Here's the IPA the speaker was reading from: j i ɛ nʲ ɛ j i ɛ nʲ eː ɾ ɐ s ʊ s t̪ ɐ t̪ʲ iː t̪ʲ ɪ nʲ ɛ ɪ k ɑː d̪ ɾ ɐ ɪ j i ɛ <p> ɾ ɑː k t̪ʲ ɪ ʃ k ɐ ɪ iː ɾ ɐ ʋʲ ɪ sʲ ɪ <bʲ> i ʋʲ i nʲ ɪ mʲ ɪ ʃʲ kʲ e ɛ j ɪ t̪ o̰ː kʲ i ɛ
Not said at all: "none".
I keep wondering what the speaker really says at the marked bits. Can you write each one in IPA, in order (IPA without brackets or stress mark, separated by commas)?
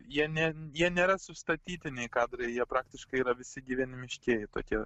p, ɡʲ